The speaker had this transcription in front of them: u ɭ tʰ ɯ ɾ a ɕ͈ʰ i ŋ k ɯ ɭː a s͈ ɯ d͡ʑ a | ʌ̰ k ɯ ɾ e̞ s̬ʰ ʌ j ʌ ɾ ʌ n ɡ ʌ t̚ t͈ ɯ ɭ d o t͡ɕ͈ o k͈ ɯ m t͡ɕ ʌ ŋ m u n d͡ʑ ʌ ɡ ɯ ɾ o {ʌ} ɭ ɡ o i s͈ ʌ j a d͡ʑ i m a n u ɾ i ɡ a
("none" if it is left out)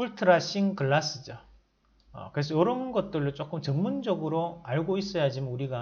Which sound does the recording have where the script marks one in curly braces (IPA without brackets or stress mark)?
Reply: a